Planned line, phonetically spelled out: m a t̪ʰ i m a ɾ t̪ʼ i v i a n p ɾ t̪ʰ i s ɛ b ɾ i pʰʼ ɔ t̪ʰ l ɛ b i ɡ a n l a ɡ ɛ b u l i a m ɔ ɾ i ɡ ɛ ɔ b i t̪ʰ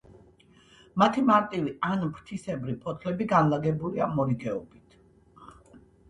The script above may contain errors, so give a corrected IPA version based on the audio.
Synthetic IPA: m a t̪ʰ i m a ɾ t̪ʼ i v i a n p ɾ t̪ʰ i s ɛ b ɾ i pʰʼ ɔ t̪ʰ l ɛ b i ɡ a n l a ɡ ɛ b u l i a m ɔ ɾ i ɡ ɛ ɔ b i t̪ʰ